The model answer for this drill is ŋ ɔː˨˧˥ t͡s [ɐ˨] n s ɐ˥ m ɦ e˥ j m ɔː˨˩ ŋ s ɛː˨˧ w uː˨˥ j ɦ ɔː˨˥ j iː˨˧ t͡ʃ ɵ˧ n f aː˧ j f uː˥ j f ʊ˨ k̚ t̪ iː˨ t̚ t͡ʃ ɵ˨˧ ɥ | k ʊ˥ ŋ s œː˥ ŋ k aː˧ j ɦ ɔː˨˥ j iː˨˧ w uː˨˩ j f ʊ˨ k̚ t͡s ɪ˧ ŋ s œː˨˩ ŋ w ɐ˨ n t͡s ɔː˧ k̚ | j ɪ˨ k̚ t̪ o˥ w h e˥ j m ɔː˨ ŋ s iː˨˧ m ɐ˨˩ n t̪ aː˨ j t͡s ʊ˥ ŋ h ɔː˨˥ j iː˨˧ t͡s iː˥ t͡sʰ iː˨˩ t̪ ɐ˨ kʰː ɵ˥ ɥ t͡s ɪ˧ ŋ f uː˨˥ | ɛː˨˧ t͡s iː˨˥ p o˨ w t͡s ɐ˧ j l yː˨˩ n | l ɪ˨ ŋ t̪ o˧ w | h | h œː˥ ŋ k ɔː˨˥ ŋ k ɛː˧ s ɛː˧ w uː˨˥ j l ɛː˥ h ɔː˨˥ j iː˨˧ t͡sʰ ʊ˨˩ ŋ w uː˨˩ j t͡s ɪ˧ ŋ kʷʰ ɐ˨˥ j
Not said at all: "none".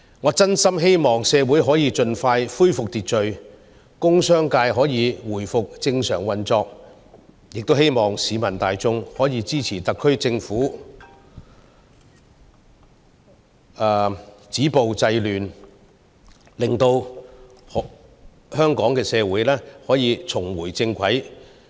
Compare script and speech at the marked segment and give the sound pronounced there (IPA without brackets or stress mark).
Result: ɐ˥